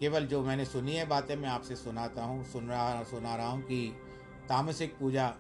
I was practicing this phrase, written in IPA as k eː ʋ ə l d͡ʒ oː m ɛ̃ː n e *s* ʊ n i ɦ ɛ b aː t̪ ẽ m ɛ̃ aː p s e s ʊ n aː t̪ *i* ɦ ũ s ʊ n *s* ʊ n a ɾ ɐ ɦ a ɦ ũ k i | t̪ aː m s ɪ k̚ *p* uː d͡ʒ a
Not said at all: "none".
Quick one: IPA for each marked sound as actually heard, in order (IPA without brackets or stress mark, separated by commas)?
s, a, s, p